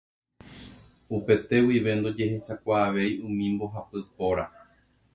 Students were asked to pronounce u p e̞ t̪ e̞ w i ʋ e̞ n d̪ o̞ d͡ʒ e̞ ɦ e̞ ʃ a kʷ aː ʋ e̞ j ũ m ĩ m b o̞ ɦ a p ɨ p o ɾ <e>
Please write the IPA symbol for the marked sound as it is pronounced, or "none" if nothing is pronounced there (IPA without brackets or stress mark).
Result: a